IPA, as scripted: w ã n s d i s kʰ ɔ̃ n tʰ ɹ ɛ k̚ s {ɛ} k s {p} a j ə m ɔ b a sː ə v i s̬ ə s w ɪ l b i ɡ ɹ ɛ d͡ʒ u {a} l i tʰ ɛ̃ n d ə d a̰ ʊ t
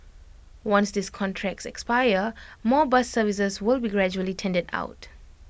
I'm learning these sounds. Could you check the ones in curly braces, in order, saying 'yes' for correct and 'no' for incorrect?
yes, yes, no

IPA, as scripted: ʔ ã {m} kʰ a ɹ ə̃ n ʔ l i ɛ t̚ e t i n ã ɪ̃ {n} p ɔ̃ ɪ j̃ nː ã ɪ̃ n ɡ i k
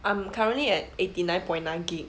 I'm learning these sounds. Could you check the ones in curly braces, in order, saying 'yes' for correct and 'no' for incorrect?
yes, yes

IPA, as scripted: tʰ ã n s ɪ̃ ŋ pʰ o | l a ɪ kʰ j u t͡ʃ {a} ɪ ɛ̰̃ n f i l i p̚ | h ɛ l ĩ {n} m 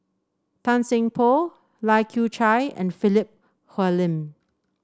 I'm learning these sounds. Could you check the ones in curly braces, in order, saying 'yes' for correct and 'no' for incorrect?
yes, no

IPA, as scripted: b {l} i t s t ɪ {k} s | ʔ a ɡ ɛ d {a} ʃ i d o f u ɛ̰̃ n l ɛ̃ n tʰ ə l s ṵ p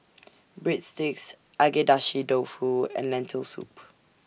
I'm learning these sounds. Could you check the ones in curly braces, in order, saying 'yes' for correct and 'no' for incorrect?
no, yes, yes

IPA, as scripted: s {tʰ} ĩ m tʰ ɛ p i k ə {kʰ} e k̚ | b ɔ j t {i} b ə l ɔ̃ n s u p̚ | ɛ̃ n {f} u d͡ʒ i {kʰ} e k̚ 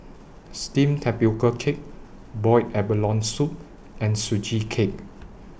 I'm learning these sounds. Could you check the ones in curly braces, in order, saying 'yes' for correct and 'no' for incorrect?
no, yes, no, no, yes

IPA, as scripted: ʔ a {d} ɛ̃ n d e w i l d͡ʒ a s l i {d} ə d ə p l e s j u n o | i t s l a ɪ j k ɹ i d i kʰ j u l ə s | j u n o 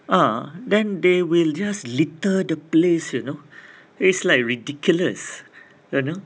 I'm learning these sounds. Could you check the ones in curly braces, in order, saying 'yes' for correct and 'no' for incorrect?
yes, no

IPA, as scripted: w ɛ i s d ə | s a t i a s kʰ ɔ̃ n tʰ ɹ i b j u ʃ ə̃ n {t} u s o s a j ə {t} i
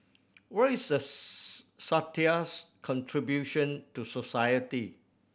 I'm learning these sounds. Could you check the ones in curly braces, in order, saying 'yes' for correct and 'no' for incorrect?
yes, yes

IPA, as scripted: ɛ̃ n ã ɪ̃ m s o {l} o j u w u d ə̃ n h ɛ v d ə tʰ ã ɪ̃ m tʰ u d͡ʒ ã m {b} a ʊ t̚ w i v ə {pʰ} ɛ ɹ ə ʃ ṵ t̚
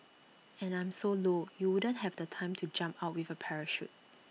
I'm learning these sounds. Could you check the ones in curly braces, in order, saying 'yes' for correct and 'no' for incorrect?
yes, no, yes

